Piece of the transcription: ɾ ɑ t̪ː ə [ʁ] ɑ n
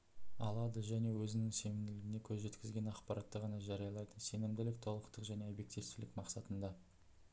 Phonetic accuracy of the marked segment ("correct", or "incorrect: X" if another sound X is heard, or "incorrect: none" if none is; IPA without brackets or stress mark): correct